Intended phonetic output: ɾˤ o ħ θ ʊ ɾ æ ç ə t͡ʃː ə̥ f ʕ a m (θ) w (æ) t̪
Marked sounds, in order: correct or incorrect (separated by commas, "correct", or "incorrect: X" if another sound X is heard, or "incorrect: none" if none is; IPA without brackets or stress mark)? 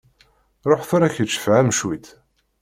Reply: incorrect: ʃ, incorrect: i